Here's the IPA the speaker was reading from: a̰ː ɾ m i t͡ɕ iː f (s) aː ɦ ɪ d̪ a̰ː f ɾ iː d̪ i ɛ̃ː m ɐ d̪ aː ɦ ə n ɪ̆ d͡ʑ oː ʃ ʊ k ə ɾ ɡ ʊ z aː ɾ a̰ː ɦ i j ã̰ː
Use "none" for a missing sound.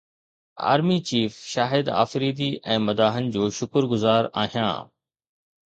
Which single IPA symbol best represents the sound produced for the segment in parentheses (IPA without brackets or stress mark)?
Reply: ʃ